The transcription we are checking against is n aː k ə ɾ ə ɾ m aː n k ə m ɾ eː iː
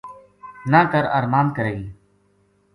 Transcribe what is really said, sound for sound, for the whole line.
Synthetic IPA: n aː k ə ɾ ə ɾ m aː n k ə ɾ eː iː